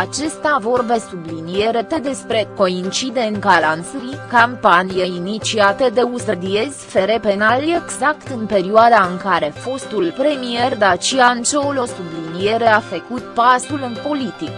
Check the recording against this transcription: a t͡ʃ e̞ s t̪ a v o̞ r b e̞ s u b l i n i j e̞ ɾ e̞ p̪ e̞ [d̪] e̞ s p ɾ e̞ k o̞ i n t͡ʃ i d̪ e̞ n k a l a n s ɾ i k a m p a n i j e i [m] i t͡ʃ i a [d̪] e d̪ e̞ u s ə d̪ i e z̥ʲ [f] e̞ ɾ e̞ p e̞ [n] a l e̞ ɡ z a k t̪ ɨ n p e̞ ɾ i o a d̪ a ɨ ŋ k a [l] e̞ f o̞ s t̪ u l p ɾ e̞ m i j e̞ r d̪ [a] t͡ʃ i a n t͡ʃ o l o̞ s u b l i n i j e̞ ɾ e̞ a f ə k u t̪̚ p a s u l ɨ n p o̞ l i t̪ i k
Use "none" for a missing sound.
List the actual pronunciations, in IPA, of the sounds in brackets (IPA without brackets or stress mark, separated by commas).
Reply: d̪, n, t̪, f, n, ɾ, a